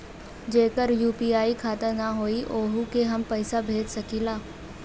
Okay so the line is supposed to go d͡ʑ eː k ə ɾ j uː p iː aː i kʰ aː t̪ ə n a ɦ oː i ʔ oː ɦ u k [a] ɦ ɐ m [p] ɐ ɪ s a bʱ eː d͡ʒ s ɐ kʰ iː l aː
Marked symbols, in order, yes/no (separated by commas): no, yes